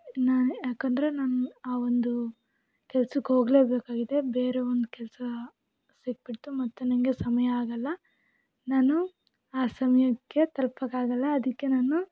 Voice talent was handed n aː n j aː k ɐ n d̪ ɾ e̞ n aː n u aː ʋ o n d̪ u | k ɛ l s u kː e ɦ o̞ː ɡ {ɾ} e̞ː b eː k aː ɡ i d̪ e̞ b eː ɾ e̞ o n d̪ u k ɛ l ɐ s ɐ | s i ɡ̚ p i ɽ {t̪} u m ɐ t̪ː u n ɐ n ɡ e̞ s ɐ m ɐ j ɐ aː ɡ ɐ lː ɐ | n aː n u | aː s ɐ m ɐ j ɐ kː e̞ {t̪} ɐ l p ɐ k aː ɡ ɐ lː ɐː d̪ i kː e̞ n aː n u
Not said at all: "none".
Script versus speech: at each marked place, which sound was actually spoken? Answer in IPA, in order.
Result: l, t̪, t̪

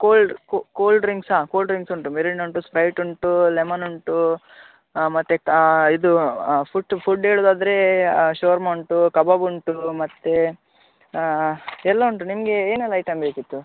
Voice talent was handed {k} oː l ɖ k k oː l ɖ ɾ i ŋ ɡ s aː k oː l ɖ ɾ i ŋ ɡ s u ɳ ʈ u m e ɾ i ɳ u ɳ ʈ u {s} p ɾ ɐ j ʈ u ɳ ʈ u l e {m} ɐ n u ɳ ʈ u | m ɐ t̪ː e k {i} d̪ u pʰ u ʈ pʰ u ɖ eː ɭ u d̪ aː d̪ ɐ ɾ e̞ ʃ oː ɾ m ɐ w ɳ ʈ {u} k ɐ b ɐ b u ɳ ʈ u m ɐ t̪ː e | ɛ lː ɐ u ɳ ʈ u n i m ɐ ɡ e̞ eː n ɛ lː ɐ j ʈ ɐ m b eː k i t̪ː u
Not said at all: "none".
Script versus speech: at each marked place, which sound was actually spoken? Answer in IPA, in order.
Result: k, s, m, i, u

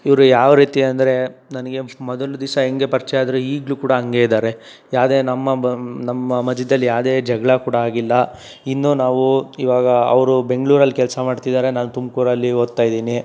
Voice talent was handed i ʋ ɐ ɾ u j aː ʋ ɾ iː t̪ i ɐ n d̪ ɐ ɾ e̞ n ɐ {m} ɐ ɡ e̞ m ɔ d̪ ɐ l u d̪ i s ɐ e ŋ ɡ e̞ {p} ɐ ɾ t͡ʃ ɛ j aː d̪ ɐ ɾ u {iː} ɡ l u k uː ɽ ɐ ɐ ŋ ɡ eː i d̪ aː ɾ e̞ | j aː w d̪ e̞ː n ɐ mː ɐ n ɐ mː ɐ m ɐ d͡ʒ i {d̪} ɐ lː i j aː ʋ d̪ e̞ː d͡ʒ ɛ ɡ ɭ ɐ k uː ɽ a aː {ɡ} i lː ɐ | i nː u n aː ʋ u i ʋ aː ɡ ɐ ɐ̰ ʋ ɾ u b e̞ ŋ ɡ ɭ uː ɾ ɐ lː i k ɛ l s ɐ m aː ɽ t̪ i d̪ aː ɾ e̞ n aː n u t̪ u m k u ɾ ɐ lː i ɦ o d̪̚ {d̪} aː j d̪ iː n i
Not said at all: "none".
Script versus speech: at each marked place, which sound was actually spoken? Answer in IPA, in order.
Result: n, p, iː, d̪, ɡ, t̪

